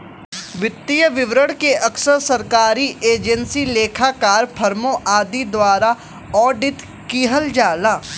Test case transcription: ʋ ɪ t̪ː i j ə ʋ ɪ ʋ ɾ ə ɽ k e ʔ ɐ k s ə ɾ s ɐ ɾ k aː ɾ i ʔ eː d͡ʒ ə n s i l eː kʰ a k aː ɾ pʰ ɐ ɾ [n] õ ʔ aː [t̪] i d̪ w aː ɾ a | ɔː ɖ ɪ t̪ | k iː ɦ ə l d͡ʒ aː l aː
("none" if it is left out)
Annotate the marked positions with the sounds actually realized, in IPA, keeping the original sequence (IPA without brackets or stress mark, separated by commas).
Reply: m, d̪